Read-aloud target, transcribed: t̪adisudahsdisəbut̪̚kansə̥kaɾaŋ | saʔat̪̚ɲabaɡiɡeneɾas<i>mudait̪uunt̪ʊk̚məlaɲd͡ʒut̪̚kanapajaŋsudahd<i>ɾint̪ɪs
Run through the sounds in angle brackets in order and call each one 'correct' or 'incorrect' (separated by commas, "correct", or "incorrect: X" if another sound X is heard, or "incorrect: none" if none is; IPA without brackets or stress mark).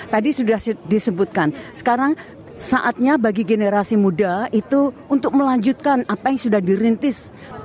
correct, correct